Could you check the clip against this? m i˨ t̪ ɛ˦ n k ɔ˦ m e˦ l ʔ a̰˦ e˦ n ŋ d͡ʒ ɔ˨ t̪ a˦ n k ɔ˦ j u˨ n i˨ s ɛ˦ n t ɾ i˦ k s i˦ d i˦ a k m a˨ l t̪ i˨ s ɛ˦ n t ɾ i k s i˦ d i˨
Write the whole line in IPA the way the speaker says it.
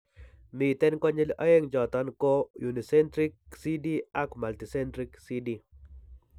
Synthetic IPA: m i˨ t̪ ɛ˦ n k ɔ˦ ɲ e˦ l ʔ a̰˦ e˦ ŋ d͡ʒ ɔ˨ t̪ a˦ n k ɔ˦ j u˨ n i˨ s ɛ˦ n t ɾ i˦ k s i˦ d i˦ a k m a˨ l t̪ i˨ s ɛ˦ n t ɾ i k s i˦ d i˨